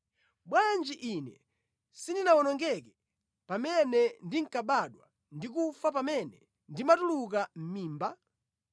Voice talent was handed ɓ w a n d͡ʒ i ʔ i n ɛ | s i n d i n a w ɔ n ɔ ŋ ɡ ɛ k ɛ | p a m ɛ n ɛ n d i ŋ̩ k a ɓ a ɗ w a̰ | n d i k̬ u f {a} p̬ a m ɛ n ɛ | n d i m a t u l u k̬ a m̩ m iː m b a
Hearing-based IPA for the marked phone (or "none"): a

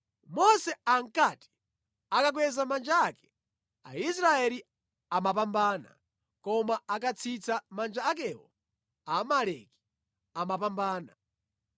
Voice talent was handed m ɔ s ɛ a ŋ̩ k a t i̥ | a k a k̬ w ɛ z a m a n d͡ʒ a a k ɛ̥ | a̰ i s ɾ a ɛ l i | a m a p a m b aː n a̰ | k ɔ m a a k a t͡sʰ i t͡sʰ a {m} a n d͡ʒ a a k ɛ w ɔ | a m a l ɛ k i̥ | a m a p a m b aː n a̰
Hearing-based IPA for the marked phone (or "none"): m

